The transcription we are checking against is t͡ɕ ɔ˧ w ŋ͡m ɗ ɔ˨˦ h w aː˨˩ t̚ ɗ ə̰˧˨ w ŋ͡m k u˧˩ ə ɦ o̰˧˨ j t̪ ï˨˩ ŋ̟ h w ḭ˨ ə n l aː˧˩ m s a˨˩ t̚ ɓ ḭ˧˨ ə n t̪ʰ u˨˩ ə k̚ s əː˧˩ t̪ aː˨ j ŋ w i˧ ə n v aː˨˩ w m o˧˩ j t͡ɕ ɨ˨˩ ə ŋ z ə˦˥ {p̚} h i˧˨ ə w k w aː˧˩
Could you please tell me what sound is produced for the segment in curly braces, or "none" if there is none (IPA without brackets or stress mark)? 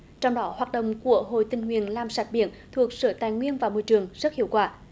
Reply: t̚